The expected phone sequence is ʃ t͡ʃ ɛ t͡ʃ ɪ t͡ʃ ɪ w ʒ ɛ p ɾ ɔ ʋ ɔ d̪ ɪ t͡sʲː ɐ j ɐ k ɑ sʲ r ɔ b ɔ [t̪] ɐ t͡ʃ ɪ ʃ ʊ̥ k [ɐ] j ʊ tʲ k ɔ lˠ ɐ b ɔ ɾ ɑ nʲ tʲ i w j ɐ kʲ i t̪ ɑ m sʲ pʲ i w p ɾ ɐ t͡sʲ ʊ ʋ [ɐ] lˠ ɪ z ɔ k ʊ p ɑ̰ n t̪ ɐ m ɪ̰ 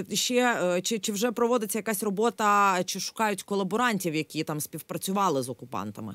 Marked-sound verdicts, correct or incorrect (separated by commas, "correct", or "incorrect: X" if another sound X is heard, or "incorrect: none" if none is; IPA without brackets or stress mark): correct, incorrect: ɑ, incorrect: ɑ